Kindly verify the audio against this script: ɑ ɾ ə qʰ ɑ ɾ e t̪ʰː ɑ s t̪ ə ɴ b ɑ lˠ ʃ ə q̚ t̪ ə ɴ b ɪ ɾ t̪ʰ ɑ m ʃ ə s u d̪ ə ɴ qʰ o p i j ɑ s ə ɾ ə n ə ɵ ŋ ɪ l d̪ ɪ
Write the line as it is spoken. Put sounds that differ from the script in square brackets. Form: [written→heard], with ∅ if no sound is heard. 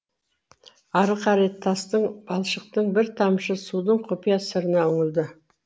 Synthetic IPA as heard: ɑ ɾ ə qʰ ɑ ɾ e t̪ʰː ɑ s t̪ ə ɴ b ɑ lˠ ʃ ə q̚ t̪ ə ɴ b ɪ ɾ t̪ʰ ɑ m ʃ ə s u d̪ ə ɴ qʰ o p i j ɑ s ə ɾ ə n [ə→ɑ] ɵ ŋ ɪ l d̪ ɪ